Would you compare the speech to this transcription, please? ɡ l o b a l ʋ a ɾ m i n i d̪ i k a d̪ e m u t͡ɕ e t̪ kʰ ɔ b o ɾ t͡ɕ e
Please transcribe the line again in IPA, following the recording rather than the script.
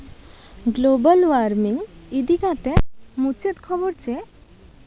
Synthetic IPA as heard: ɡ l o b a l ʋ a ɾ m i ŋ i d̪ i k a t̪ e m u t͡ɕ e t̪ kʰ ɔ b o ɾ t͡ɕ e